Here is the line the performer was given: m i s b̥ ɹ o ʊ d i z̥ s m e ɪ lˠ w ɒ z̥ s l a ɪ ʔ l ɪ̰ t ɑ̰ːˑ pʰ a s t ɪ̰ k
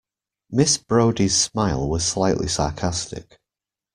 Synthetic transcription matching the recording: m ɪ s b̥ ɹ o ʊ d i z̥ s m a ɪ lˠ w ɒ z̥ s l a ɪ ʔ l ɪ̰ s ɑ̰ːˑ kʰ a s t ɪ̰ k